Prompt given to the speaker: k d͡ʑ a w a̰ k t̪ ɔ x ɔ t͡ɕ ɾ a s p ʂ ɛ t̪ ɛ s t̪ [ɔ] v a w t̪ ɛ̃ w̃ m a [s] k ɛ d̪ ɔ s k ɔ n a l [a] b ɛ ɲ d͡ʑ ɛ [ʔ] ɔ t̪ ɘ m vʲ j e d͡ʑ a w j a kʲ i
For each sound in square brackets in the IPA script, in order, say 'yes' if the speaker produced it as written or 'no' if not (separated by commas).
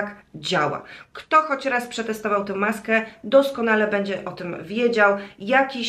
yes, yes, no, yes